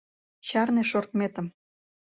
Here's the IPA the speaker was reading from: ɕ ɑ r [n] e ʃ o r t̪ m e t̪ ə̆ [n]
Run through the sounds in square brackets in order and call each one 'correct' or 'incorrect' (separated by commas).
correct, incorrect